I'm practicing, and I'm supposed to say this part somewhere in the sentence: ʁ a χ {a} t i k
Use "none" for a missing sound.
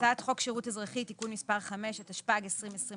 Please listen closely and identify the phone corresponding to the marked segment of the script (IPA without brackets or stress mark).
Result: i